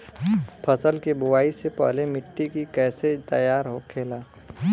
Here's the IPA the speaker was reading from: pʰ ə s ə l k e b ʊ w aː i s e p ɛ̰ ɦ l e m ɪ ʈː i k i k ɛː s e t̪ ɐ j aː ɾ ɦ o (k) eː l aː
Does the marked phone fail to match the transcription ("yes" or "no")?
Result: yes